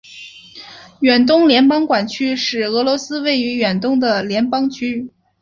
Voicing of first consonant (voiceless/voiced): voiced